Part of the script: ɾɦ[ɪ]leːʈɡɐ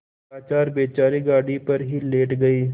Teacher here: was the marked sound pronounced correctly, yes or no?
no